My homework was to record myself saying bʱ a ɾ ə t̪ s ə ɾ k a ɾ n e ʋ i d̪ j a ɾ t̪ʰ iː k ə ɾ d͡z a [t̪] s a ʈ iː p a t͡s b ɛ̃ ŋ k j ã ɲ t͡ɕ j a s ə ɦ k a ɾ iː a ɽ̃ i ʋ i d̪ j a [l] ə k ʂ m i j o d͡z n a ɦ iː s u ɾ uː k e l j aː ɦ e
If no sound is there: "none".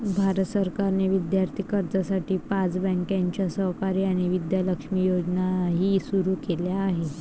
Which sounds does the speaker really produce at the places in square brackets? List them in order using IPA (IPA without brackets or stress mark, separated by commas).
none, l